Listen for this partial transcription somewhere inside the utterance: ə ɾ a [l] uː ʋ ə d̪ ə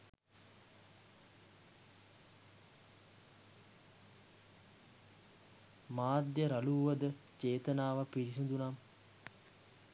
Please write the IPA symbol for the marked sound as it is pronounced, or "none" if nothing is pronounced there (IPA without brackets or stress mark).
l